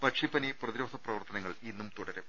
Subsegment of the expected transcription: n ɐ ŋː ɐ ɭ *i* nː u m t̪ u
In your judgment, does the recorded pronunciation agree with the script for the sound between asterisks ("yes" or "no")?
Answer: yes